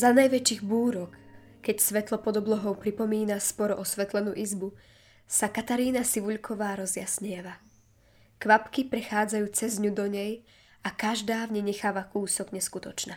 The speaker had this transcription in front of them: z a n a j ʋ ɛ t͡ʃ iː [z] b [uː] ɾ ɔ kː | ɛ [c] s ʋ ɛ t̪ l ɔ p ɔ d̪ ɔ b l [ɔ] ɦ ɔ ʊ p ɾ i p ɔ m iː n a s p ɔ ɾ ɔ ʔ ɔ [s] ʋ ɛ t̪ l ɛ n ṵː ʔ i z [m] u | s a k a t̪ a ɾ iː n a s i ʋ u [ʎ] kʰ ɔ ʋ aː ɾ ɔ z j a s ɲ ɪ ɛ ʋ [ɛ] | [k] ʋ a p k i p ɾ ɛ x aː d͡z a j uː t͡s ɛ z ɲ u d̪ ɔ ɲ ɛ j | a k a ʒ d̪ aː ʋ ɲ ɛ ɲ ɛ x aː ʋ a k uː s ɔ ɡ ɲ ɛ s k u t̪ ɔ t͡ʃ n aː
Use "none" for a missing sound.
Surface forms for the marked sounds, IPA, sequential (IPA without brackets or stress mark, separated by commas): ɣ, uː, c, ɔ, s, b, ʎ, a, k